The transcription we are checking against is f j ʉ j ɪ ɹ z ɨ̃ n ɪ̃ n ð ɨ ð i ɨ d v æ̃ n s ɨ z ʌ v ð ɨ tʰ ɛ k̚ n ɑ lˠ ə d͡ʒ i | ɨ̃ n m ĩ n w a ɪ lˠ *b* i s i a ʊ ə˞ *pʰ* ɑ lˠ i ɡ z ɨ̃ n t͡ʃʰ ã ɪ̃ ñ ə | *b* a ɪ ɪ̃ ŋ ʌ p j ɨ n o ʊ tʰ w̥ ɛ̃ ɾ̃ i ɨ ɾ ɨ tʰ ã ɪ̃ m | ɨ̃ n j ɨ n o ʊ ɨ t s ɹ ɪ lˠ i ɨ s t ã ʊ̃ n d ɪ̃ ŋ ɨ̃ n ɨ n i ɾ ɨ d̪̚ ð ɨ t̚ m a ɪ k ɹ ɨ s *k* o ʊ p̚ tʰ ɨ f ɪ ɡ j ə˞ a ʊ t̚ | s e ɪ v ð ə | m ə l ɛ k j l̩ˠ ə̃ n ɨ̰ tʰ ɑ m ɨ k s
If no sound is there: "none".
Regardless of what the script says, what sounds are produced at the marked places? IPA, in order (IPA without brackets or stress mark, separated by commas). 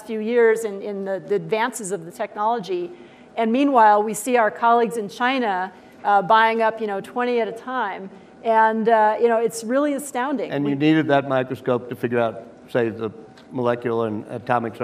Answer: w, kʰ, b, k